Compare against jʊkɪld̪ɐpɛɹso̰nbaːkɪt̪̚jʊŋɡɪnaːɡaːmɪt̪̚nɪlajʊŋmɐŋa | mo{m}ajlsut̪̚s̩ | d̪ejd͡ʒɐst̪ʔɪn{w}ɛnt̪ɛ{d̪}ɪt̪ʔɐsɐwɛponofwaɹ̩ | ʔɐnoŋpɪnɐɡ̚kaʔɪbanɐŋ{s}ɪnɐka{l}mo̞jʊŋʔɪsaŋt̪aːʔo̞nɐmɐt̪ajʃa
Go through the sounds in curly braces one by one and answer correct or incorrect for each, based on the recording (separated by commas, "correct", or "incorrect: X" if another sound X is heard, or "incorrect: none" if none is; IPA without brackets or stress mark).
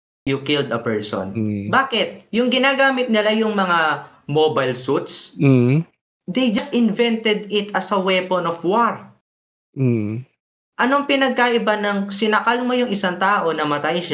incorrect: b, incorrect: v, correct, correct, correct